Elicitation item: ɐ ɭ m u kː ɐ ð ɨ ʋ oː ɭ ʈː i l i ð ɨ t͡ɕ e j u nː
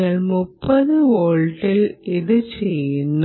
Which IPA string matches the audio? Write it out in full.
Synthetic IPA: ɐ ɭ m u pː ɐ ð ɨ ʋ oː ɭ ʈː i l i ð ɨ t͡ɕ e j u nː